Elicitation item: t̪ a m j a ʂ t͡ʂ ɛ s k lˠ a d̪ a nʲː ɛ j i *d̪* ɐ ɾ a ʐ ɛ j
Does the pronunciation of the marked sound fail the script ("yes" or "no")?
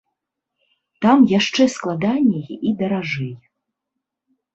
no